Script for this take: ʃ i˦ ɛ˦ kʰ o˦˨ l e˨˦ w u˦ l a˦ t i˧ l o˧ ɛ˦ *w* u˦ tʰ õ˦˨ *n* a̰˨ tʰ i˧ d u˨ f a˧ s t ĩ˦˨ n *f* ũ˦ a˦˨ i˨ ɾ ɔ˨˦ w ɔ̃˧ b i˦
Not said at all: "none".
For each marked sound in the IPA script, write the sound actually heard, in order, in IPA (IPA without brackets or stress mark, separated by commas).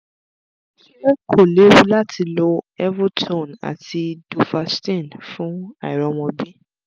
v, n, f